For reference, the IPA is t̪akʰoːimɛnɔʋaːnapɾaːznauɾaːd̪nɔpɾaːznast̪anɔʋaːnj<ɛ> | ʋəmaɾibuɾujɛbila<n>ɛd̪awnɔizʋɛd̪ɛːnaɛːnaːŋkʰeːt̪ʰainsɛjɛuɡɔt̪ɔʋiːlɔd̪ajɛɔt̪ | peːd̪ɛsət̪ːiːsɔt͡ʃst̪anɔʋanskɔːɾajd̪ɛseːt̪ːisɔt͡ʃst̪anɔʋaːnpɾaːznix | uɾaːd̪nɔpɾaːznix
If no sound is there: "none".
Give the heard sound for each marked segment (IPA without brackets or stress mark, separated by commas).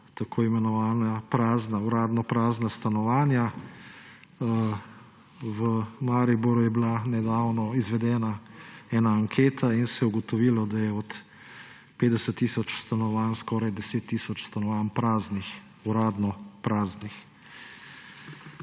a, n